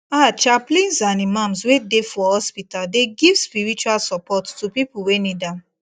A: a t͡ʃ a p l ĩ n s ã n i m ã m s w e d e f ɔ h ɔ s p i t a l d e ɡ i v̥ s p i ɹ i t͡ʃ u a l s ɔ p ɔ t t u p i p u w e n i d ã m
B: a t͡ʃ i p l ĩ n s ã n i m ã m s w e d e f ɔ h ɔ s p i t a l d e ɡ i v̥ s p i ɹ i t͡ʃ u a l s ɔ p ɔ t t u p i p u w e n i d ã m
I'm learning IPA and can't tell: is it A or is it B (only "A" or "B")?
A